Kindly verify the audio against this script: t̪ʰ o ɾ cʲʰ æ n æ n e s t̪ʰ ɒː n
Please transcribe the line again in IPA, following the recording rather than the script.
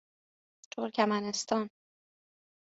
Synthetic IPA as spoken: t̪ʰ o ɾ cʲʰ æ m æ n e s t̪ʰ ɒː n

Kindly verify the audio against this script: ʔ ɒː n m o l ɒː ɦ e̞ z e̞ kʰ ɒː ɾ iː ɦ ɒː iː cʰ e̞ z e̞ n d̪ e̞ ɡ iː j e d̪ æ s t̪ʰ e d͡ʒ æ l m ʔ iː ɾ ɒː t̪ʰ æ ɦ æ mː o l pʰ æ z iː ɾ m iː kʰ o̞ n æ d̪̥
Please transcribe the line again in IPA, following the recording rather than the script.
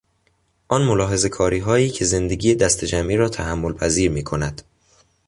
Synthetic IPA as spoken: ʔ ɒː n m o l ɒː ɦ e̞ z e̞ kʰ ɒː ɾ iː ɦ ɒː iː cʰ e̞ z e̞ n d̪ e̞ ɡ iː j e d̪ æ s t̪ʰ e d͡ʒ æ m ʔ iː ɾ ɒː t̪ʰ æ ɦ æ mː o l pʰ æ z iː ɾ m iː kʰ o̞ n æ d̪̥

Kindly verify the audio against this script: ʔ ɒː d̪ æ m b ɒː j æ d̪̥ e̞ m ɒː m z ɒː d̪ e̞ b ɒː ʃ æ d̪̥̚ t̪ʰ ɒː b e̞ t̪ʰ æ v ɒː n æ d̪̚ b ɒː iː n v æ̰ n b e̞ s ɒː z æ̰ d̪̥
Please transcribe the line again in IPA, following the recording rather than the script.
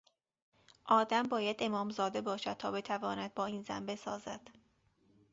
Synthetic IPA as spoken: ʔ ɒː d̪ æ m b ɒː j æ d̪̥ e̞ m ɒː m z ɒː d̪ e̞ b ɒː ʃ æ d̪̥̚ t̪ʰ ɒː b e̞ t̪ʰ æ v ɒː n æ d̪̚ b ɒː iː n z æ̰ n b e̞ s ɒː z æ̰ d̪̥

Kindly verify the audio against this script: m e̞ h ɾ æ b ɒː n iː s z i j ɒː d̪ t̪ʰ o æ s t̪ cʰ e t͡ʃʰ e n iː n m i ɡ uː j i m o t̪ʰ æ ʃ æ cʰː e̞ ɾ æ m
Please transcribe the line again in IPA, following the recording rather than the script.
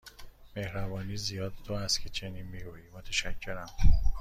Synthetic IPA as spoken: m e̞ h ɾ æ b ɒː n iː z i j ɒː d̪ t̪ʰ o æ s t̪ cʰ e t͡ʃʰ e n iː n m i ɡ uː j i m o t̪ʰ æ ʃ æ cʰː e̞ ɾ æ m

